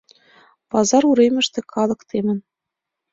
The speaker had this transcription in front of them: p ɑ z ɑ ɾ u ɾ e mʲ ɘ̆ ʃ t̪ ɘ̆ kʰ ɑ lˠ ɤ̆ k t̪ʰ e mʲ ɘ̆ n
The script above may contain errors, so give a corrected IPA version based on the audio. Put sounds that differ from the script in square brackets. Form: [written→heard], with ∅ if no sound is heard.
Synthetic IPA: p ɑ z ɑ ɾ u ɾ e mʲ ɘ̆ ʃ t̪ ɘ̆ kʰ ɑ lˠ ɤ̆ k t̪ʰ e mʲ ɘ̆ n